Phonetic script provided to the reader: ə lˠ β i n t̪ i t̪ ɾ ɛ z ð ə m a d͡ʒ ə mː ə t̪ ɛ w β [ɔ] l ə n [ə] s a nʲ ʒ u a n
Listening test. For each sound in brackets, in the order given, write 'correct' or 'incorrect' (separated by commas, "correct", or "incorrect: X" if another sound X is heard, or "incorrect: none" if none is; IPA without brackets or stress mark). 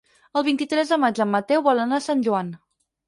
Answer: correct, incorrect: a